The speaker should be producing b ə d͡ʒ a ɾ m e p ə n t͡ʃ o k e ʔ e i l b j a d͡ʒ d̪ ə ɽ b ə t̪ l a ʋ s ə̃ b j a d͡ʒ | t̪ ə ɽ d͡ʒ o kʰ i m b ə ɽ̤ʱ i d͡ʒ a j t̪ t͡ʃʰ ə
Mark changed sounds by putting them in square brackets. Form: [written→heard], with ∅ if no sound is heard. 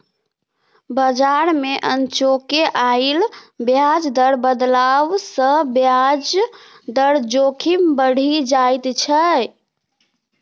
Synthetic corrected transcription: b ə d͡ʒ a ɾ m e [p→ʔ] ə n t͡ʃ o k e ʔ [e→a] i l b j a d͡ʒ d̪ ə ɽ b ə [t̪→d̪] l a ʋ s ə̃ b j a d͡ʒ | [t̪→d̪] ə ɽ d͡ʒ o kʰ i m b ə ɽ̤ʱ i d͡ʒ a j t̪ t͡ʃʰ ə